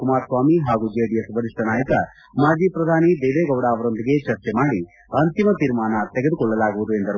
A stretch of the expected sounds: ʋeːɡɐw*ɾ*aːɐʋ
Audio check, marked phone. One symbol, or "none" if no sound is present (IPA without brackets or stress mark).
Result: ɽ